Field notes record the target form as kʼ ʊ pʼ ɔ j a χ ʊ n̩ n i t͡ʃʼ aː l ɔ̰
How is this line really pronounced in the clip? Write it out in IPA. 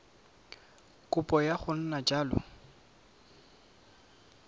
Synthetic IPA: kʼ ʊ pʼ ɔ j a χ ʊ n̩ n a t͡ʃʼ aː l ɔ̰